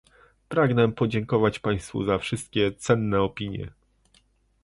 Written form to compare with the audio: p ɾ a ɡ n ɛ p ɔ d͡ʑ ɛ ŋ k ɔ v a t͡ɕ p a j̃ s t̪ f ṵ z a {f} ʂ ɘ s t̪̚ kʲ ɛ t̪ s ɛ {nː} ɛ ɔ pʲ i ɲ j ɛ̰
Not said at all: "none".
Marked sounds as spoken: f, nː

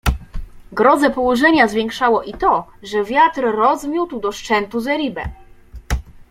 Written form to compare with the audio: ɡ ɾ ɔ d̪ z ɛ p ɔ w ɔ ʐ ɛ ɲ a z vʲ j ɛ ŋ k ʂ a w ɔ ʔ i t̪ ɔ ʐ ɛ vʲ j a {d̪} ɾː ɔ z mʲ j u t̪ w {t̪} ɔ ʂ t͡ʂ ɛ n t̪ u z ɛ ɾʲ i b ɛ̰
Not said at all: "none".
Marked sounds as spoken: t̪, d̪

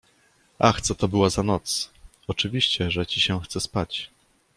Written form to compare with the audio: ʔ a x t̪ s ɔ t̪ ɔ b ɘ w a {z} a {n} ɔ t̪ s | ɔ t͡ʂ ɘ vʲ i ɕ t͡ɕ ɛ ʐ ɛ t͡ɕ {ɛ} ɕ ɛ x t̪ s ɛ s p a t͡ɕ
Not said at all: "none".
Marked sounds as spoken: z, n, i

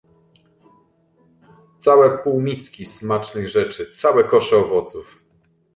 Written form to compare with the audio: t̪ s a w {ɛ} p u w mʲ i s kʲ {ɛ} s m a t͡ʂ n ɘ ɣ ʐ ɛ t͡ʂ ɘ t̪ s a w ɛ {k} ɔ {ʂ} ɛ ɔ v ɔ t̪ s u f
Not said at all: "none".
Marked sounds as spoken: ɛ, i, k, ʂ

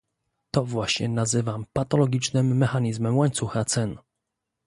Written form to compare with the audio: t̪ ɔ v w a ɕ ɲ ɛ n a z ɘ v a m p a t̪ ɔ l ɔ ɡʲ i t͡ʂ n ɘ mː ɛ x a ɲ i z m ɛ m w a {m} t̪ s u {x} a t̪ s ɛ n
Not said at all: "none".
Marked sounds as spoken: ɲ, x

